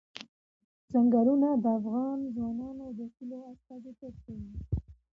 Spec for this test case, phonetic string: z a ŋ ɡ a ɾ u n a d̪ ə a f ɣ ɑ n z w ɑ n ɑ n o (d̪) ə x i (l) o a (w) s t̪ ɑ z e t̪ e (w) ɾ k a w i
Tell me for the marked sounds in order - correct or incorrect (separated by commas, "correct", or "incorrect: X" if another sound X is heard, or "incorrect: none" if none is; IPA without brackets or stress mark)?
correct, correct, incorrect: none, incorrect: none